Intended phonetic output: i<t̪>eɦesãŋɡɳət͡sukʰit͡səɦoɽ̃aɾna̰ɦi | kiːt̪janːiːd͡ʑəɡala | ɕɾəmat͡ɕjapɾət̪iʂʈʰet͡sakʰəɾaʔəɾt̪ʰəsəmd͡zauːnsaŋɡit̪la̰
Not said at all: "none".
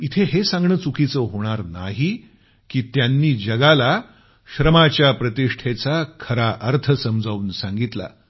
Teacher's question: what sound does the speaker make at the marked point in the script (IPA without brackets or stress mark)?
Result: t̪ʰ